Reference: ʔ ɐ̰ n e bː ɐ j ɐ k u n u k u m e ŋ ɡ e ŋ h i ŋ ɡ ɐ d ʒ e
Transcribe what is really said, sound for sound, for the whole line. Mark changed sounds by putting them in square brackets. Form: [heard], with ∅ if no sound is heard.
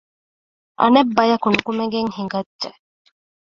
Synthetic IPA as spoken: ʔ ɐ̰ n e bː ɐ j ɐ k u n u k u m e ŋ ɡ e ŋ h i ŋ ɡ ɐ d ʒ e